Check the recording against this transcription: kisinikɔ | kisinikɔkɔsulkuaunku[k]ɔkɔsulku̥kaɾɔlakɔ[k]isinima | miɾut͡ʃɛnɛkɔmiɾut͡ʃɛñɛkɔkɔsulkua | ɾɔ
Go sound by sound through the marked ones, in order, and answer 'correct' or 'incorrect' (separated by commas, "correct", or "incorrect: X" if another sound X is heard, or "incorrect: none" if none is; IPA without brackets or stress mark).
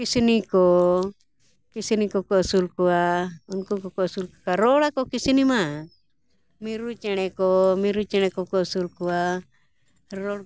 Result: correct, correct